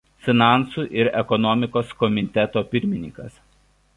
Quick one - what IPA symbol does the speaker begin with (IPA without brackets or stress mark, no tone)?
fʲ